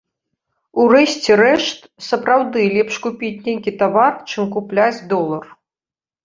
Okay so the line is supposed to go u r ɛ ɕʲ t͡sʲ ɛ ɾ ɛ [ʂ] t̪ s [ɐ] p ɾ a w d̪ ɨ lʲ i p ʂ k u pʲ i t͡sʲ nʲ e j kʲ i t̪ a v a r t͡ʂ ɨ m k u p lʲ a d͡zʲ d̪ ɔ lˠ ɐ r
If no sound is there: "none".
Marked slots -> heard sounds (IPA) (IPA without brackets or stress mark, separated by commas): ʂ, ɐ